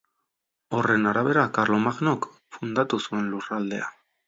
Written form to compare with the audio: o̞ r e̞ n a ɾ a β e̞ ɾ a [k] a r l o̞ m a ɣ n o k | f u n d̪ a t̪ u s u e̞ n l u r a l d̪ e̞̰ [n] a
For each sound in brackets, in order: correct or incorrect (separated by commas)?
correct, incorrect